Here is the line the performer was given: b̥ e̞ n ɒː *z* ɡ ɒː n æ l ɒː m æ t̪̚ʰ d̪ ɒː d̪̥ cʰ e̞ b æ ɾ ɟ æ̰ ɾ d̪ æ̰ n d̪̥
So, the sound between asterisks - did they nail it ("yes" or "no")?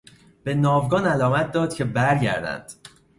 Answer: no